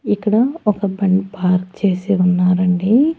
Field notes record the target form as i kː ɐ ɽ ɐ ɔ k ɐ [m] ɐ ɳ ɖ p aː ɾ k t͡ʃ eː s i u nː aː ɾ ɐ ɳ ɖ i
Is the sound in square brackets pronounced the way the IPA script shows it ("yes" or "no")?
no